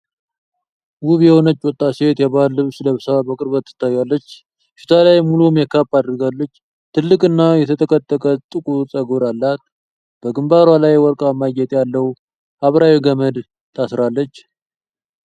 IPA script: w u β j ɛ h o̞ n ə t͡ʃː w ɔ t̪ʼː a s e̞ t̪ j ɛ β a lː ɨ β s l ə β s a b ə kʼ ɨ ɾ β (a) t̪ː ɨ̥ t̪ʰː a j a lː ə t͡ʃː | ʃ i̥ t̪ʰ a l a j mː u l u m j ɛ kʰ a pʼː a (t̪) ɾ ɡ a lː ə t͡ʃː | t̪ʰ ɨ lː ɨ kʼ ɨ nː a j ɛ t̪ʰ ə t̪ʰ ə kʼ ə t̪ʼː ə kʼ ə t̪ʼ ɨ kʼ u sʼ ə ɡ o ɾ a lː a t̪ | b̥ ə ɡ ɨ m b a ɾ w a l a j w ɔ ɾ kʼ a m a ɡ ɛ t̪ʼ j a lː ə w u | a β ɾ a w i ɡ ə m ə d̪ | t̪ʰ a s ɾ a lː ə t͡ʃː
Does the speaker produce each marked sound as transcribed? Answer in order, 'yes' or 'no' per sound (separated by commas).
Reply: no, no